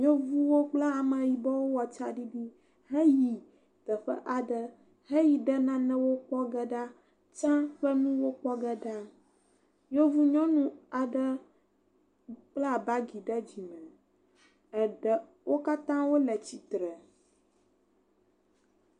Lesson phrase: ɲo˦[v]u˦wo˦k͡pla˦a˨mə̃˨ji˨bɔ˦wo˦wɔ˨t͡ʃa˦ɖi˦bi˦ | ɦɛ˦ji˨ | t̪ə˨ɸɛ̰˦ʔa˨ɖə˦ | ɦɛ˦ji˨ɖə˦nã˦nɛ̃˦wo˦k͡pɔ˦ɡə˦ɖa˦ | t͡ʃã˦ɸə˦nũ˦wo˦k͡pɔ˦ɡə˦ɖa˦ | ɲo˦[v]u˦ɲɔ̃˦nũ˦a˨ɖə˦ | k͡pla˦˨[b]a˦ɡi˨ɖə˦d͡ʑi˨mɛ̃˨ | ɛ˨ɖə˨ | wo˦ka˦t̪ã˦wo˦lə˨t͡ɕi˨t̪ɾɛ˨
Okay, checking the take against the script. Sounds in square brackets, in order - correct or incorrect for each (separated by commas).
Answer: correct, correct, correct